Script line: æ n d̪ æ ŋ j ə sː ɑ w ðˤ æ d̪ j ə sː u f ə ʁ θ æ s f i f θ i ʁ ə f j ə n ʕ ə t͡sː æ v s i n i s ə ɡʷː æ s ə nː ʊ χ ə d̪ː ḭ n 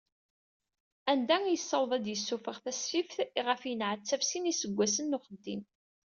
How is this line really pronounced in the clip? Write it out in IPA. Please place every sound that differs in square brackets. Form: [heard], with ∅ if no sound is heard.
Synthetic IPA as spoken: æ n d̪ æ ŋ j ə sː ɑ w ðˤ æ d̪ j ə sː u f ə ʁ θ æ s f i f θ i ʁ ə f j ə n ʕ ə t͡sː æ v s i n i s ə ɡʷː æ s ə nː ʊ χ ə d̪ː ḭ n

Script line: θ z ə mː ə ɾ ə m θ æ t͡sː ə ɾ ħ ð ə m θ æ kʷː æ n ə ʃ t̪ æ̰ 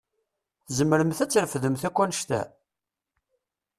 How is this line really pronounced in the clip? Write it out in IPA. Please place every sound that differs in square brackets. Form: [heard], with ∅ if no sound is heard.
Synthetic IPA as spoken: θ z ə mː ə ɾ ə m θ æ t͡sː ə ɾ [f] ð ə m θ æ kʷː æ n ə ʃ t̪ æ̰

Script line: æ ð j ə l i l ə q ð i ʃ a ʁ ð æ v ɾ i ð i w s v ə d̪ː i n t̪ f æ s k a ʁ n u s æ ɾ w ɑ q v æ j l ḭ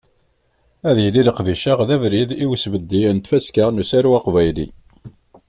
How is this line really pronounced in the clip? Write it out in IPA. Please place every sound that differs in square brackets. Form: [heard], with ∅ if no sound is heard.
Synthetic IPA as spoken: æ ð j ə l i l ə q ð i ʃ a ʁ ð æ v ɾ i ð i w s v ə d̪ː i n t̪ f æ s k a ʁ n u s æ ɾ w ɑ q v æ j l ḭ

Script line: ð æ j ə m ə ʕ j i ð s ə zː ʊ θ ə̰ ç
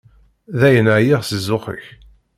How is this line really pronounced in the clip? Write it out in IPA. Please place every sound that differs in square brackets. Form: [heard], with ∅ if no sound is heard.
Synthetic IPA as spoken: ð æ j ə [n] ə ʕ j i [ʁ] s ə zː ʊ [χ] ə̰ ç

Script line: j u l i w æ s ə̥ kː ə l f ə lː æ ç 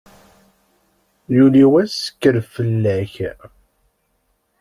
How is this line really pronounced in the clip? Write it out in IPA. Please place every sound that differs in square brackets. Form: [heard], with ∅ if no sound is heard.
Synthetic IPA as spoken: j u l i w æ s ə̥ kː ə [ɾ] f ə lː æ ç

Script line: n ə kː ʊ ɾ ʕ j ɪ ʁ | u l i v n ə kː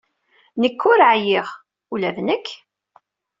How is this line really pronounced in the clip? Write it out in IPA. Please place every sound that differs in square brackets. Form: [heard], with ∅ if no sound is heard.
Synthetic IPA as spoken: n ə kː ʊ ɾ ʕ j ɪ ʁ | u l [æ] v n ə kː

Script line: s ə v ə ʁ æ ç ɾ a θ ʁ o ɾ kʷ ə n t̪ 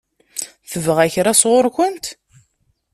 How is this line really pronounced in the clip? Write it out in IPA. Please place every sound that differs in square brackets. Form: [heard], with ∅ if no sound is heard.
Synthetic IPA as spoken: [θ] ə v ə ʁ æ ç ɾ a [s] ʁ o ɾ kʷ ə n t̪

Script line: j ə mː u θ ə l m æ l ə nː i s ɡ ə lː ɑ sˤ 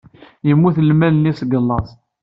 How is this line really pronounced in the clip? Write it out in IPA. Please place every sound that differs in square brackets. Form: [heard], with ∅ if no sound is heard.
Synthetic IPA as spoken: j ə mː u θ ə l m æ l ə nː i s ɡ ə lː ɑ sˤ

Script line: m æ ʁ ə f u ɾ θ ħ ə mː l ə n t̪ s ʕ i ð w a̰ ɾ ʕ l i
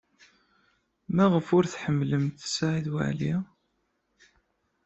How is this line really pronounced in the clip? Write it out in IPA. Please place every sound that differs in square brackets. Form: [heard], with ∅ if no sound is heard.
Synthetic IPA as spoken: m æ ʁ ə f [ʊ] ɾ θ ħ ə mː l ə [m] t̪ s ʕ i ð w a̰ [∅] ʕ l i

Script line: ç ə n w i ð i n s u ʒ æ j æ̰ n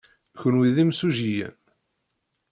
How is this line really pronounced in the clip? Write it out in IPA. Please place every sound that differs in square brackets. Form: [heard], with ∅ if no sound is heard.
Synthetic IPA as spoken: ç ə n w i ð i [m] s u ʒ [i] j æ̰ n

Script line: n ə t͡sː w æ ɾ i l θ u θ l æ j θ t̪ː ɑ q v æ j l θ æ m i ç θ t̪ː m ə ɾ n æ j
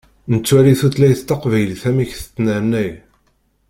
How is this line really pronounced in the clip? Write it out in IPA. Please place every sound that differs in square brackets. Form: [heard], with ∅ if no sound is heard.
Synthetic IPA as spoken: n ə t͡sː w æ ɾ i [∅] θ u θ l æ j θ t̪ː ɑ q v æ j l θ æ m i ç θ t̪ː [n] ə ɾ n æ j

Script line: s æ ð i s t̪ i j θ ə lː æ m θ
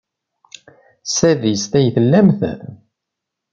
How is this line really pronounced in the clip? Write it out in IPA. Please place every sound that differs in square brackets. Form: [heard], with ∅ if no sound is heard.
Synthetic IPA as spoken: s æ ð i s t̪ [æ] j θ ə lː æ m θ

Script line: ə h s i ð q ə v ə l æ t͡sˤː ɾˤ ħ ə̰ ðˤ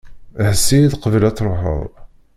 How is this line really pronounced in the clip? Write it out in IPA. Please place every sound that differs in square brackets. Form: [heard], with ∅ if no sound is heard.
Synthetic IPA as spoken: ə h s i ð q ə v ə l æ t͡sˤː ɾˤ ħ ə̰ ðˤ

